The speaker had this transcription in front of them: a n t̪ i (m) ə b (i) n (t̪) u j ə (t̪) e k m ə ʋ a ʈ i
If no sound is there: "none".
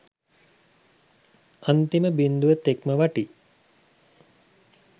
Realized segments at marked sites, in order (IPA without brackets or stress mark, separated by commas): m, i, d̪, t̪